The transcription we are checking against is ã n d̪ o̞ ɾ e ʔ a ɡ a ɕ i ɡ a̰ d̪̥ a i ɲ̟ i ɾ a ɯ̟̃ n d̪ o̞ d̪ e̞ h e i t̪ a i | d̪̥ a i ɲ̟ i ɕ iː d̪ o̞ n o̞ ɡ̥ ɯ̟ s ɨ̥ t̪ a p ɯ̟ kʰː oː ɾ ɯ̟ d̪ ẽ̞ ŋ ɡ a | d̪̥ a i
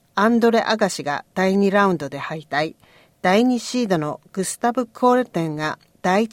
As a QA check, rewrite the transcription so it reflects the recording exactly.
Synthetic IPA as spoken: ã n d̪ o̞ ɾ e ʔ a ɡ a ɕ i ɡ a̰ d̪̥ a i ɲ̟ i ɾ a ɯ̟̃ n d̪ o̞ d̪ e̞ h a i t̪ a i | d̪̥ a i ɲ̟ i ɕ iː d̪ o̞ n o̞ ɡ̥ ɯ̟ s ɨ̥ t̪ a b ɯ̟ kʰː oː ɾ ɯ̟ t̪ ẽ̞ ŋ ɡ a | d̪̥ a i